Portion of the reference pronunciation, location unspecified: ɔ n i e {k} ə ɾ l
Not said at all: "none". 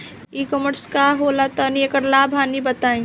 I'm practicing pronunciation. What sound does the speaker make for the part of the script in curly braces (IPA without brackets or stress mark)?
k